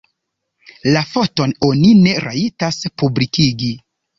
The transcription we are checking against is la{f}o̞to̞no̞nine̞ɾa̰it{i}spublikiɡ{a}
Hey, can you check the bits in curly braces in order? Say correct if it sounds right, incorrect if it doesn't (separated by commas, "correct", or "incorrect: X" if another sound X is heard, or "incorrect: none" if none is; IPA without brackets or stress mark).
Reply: correct, incorrect: a, incorrect: i